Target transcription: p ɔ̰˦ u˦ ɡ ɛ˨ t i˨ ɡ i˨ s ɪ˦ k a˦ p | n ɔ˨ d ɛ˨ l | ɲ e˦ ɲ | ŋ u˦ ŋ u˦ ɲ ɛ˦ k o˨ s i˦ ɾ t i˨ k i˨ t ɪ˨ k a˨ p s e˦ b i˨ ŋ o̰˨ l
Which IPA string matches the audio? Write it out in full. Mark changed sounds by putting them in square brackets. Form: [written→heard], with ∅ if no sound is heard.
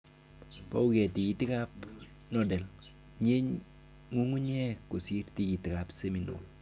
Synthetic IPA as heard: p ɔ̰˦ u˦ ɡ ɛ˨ t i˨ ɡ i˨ [s→t] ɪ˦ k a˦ p | n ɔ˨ d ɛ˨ l | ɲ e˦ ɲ | ŋ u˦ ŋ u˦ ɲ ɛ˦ k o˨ s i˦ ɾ t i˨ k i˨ t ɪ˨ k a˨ p s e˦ [b→m] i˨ [ŋ→n] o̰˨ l